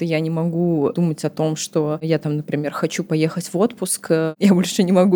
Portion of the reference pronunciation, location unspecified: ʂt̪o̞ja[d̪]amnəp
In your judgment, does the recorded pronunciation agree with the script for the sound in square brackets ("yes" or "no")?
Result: no